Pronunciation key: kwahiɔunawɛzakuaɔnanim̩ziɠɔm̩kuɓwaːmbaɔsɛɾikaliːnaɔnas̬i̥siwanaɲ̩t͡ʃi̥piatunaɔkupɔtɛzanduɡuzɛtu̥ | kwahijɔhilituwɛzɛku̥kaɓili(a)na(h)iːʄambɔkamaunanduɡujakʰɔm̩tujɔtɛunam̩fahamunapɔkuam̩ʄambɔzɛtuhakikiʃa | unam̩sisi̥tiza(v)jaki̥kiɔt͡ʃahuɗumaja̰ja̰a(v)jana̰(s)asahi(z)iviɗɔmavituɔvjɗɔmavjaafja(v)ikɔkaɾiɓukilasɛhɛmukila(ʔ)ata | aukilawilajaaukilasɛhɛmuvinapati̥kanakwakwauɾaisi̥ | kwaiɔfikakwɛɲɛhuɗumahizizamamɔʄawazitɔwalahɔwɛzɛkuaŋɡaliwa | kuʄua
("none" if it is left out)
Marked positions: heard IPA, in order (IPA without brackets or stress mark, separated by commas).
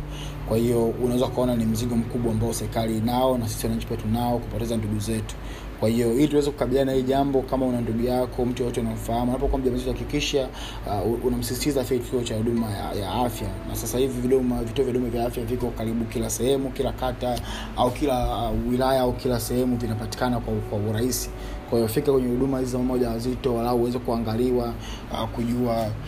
a, h, f, f, s, v, v, k